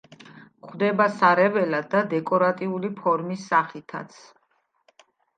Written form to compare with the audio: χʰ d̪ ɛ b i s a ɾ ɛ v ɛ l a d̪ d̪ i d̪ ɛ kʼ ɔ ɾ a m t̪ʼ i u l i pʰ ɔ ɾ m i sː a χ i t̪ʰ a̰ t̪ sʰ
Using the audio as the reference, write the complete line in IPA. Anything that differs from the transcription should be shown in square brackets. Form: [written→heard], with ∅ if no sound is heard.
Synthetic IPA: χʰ d̪ ɛ b [i→a] s a ɾ ɛ v ɛ l a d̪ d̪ [i→a] d̪ ɛ kʼ ɔ ɾ a [m→∅] t̪ʼ i u l i pʰ ɔ ɾ m i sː a χ i t̪ʰ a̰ t̪ sʰ